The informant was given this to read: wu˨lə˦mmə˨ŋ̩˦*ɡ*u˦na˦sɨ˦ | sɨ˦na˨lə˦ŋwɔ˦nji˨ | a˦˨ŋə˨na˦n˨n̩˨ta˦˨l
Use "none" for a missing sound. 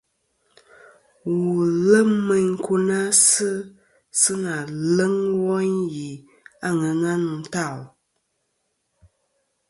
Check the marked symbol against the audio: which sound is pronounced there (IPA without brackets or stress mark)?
k